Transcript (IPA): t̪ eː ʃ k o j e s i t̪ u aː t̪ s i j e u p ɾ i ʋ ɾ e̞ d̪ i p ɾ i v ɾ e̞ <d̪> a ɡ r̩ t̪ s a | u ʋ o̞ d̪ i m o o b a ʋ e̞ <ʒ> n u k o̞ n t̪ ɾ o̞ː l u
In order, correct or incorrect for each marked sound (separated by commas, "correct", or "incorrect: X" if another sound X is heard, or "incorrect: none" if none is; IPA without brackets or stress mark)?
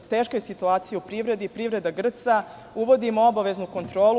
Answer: correct, incorrect: z